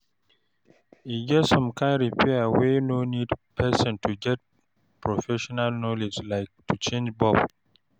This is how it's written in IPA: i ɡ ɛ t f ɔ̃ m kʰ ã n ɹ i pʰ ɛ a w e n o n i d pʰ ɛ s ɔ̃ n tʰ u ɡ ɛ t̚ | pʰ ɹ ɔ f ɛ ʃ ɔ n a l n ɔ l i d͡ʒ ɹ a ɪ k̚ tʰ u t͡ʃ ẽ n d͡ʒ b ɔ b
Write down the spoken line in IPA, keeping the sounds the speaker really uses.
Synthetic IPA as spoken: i ɡ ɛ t s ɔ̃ m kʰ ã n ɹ i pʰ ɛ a w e n o n i d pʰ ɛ s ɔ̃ n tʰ u ɡ ɛ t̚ | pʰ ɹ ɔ f ɛ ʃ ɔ n a l n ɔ l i d͡ʒ l a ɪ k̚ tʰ u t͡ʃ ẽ n d͡ʒ b ɔ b